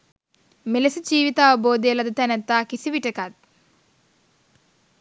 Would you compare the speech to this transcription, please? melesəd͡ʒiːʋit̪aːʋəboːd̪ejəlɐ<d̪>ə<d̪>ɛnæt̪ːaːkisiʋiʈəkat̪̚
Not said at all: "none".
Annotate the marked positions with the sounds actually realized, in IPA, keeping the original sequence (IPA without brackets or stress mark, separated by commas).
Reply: d̪, t̪